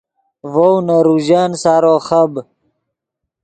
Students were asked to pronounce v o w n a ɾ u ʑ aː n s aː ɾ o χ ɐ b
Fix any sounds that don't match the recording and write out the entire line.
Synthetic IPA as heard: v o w n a ɾ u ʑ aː n s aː ɾ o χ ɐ b

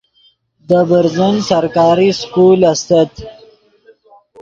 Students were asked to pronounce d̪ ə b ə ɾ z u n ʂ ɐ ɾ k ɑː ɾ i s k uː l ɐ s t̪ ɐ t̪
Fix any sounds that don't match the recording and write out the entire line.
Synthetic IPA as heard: d̪ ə b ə ɾ z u n s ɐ ɾ k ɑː ɾ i s k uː l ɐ s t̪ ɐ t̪

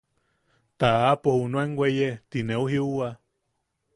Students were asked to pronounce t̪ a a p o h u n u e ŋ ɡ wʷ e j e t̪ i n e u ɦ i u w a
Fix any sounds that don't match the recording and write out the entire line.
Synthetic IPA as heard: t̪ a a p o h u n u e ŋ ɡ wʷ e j e t̪ i n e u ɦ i u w a

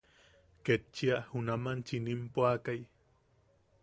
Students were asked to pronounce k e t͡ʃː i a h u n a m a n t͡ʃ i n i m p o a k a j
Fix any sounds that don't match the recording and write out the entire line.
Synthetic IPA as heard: k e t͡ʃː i a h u n a m a n t͡ʃ i n i m p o a k a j

